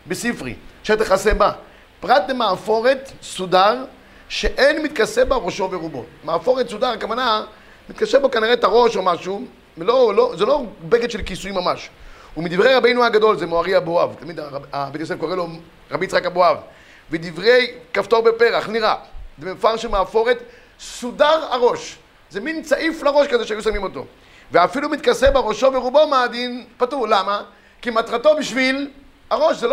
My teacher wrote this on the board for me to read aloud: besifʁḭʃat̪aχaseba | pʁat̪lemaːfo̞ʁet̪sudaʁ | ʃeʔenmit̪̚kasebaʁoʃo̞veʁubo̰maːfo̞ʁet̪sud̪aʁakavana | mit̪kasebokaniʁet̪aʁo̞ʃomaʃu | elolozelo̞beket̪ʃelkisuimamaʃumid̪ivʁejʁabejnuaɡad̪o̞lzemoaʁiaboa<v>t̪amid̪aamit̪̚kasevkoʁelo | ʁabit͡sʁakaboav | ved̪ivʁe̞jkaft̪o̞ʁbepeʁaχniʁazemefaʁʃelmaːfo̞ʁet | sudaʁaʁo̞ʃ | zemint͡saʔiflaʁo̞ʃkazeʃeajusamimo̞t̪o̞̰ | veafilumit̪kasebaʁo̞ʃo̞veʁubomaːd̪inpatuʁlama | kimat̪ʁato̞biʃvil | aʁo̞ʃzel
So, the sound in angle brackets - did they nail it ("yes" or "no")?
yes